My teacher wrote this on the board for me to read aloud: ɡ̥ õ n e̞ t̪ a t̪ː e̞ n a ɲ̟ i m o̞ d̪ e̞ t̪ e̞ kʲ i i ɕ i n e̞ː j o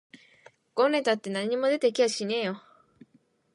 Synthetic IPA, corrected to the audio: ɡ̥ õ n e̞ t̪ a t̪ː e̞ n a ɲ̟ i m o̞ d̪ e̞ t̪ e̞ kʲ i a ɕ i n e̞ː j o